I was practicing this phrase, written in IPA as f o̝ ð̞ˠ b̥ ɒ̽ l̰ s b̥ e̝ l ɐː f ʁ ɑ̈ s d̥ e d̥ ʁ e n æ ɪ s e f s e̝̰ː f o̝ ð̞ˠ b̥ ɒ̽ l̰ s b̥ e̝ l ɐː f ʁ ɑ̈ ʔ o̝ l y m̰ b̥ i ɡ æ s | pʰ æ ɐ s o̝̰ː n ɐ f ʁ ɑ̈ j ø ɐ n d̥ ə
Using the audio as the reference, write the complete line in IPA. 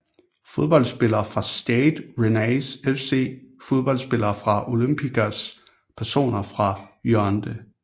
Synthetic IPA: f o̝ ð̞ˠ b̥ ɒ̽ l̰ s b̥ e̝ l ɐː f ʁ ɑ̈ s d̥ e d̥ ʁ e n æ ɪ s e f s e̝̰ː f o̝ ð̞ˠ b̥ ɒ̽ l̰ s b̥ e̝ l ɐː f ʁ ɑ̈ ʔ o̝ l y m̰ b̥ i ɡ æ s | pʰ æ ɐ s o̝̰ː n ɐ f ʁ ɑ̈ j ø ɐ n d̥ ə

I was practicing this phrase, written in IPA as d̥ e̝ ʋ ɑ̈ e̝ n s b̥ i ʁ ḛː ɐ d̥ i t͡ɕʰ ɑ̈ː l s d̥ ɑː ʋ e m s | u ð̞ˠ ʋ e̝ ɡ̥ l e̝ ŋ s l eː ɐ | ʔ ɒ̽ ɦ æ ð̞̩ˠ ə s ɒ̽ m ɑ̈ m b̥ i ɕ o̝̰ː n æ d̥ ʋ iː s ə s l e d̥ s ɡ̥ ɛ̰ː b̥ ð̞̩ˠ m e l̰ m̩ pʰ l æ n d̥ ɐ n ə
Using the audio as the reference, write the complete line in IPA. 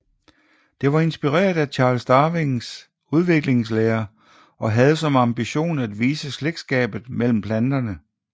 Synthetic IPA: d̥ e̝ ʋ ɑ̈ e̝ n s b̥ i ʁ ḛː ɐ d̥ æ t͡ɕʰ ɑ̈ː l s d̥ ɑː ʋ e ŋ s | u ð̞ˠ ʋ e̝ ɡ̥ l e̝ ŋ s l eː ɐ | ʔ ɒ̽ ɦ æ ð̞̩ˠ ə s ɒ̽ m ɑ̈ m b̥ i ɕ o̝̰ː n æ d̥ ʋ iː s ə s l e ɡ̥ s ɡ̥ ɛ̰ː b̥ ð̞̩ˠ m e l̰ m̩ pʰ l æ n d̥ ɐ n ə

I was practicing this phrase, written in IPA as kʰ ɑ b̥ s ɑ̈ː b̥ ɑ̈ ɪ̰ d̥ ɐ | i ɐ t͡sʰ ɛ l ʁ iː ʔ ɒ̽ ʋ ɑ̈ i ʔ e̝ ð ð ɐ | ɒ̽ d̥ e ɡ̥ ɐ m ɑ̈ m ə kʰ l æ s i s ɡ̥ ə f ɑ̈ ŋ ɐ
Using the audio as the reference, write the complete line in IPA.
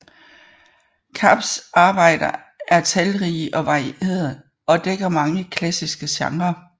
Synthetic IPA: kʰ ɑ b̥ s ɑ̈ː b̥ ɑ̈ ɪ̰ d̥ ɐ | æ ɐ t͡sʰ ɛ l ʁ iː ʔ ɒ̽ ʋ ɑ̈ i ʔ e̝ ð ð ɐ | ɒ̽ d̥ e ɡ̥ ɐ m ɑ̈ ŋ ə kʰ l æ s i s ɡ̥ ə ɕ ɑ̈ ŋ ɐ

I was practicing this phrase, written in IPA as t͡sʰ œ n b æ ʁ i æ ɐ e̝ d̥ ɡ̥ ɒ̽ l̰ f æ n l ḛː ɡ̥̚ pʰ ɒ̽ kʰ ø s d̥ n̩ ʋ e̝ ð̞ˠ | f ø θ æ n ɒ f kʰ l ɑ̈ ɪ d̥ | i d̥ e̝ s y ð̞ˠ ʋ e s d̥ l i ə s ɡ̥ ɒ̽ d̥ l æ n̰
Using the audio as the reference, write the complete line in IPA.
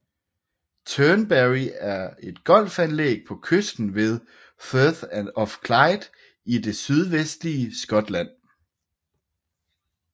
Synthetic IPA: t͡sʰ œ n b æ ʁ i æ ɐ e̝ d̥ ɡ̥ ɒ̽ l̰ f æ n l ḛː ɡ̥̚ pʰ ɒ̽ kʰ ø s d̥ n̩ ʋ e̝ ð̞ˠ | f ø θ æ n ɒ f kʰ l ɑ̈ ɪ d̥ | i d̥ e̝ s y ð̞ˠ ʋ e s d̥ l i ə s ɡ̥ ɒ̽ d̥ l æ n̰

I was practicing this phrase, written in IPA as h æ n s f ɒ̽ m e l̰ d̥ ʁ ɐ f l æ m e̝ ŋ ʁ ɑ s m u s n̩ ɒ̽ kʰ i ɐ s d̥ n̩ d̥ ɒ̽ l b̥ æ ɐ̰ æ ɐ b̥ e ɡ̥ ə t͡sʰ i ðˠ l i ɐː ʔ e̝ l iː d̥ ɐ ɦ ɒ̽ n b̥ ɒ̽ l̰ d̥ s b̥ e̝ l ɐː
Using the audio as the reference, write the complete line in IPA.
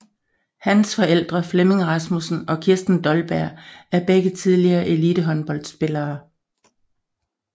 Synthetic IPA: h æ n s f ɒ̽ e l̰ d̥ ʁ ɐ f l e m e̝ ŋ ʁ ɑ s m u s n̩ ɒ̽ kʰ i ɐ s d̥ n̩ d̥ ɒ̽ l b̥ æ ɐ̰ æ ɐ b̥ e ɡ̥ ə t͡sʰ i ðˠ l i ɐː ʔ e̝ l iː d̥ ə ɦ ɒ̽ n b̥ ɒ̽ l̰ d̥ s b̥ e̝ l ɐː

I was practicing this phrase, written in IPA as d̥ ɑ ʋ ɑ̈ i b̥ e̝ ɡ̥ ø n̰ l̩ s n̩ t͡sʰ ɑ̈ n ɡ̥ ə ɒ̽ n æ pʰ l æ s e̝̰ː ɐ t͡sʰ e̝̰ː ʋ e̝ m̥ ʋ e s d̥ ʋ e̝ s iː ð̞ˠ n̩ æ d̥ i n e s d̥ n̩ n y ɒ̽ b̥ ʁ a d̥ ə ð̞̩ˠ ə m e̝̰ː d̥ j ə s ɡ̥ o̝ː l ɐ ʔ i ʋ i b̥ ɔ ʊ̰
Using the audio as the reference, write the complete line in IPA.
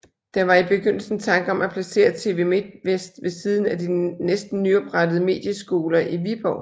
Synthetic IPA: d̥ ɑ ʋ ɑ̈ i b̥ e̝ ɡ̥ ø n̰ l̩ s n̩ t͡sʰ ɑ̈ ŋ ɡ̥ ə ɒ̽ m æ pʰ l æ s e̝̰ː ɐ t͡sʰ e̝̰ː ʋ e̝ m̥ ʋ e s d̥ ʋ e̝ s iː ð̞ˠ n̩ æ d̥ i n e s d̥ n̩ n y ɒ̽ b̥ ʁ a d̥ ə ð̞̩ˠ ə m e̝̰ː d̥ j ə s ɡ̥ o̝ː l ɐ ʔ i ʋ i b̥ ɒ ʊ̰

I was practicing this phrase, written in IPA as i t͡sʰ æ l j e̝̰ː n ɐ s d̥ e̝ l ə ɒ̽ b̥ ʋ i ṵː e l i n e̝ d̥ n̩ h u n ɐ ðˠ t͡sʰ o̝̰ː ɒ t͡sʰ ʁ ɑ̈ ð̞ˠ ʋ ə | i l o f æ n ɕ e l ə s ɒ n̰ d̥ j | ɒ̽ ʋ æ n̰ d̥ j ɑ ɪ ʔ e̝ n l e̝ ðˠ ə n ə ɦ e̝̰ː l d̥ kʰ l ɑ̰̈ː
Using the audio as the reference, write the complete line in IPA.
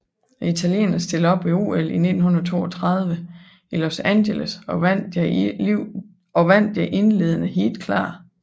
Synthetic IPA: i t͡sʰ æ l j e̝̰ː n ɐ s d̥ e̝ l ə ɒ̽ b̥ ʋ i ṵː e l i n e̝ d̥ n̩ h u n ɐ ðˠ t͡sʰ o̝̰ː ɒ t͡sʰ ʁ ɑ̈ ð̞ˠ ʋ ə | i l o s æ n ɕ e l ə s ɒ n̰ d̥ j | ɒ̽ ʋ æ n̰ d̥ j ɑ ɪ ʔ e̝ n l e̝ ðˠ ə n ə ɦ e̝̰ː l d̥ kʰ l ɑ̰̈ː

